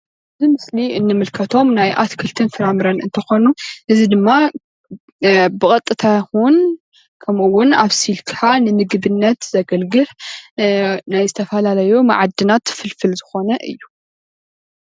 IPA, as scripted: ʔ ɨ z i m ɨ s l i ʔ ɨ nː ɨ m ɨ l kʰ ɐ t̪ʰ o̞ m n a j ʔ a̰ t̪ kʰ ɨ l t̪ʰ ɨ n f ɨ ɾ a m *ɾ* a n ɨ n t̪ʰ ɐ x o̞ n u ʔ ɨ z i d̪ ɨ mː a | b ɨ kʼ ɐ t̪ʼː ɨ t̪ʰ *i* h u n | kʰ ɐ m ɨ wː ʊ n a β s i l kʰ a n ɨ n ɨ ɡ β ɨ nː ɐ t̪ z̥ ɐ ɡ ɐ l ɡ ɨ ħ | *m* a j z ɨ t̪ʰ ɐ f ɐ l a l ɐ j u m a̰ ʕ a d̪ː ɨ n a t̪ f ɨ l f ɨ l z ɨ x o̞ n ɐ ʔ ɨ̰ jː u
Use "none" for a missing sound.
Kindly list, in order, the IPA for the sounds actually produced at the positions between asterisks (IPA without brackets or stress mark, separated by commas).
ɾ, a, n